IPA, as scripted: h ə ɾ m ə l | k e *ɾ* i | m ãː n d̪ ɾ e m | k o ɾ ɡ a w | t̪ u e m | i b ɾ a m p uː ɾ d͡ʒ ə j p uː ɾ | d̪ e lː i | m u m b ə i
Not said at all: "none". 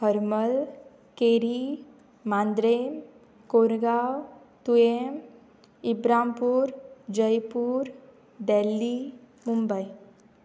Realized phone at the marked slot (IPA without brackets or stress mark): ɾ